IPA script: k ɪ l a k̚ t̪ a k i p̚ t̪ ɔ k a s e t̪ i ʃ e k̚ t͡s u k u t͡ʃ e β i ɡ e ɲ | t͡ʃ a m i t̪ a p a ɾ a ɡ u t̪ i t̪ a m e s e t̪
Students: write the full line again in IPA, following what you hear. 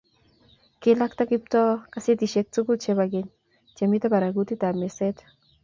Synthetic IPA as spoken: k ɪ l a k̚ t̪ a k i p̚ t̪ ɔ k a s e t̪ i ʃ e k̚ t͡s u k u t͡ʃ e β a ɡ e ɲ | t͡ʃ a m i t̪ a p a ɾ a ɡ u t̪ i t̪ a m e s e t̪

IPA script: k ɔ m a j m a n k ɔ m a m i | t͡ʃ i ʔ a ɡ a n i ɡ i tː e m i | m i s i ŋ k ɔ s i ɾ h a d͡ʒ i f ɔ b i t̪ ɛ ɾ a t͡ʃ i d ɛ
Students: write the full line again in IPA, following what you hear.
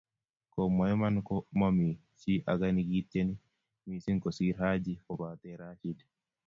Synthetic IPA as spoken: k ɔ m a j m a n k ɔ m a m i | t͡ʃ i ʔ a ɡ a n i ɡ i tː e n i | m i s i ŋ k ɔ s i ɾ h a d͡ʒ i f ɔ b a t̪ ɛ ɾ a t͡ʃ i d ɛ

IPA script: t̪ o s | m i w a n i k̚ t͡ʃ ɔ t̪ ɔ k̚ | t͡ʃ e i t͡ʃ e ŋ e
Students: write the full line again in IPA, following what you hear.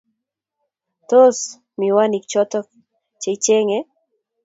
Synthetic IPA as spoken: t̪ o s | m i w a n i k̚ t͡ʃ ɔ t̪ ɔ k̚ | t͡ʃ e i t͡ʃ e ŋ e

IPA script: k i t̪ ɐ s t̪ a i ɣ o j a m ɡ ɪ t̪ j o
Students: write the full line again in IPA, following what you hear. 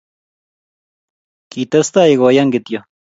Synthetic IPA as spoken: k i t̪ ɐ s t̪ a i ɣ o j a ŋ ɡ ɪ t̪ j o

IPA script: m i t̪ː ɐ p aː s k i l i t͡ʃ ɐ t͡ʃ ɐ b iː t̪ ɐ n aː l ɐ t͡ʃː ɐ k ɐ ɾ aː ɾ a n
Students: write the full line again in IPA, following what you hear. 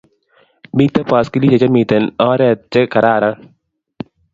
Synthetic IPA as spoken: m i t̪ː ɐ p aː s k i l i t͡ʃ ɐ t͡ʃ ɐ m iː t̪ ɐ n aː ɾ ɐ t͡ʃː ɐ k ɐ ɾ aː ɾ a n

